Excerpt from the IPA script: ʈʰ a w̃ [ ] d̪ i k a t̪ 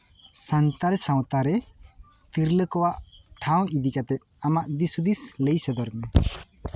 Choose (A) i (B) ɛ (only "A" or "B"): A